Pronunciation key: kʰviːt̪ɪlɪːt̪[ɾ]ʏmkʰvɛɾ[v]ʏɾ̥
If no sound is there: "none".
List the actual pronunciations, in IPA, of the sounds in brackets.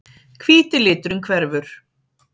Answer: ɾ, v

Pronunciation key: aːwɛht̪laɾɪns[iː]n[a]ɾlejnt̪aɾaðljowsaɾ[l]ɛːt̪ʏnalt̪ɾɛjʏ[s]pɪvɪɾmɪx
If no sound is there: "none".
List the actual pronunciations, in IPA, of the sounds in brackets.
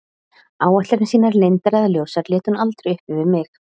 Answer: iː, a, l, h

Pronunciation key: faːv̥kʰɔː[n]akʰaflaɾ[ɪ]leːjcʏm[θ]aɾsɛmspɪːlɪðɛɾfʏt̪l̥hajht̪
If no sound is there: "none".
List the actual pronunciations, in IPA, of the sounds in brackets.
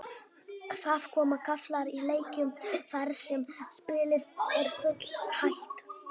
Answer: m, i, f

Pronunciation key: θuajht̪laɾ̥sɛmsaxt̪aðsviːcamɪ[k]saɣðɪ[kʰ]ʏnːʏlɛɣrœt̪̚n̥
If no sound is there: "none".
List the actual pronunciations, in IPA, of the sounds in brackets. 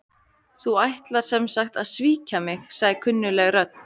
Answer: x, kʰ

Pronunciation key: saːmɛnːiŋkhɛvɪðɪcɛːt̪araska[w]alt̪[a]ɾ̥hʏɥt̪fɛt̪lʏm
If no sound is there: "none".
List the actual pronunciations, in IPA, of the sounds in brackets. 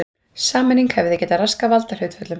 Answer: v, a

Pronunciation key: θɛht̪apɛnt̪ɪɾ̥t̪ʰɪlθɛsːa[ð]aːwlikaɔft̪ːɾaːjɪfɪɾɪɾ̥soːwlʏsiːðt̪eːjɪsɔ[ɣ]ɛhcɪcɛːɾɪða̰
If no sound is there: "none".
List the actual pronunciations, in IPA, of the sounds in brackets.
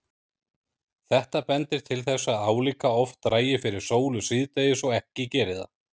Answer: ð, ɣ

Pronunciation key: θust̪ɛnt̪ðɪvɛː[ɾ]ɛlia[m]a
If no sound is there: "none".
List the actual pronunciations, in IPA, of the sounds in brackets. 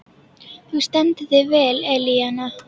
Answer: l, n

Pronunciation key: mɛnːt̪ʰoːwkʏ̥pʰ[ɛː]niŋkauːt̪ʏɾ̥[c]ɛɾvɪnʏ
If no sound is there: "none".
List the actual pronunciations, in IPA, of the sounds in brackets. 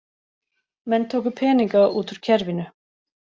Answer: ɛː, cʰ

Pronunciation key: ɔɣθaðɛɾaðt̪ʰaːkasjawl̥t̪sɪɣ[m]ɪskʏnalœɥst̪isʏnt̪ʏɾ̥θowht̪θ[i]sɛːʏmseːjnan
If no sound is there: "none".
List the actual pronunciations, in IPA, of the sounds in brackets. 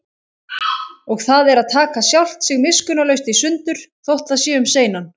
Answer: m, a

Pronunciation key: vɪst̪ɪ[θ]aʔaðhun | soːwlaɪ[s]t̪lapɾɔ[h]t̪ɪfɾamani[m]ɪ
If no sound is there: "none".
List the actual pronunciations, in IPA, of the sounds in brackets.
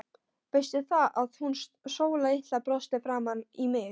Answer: θ, h, s, m

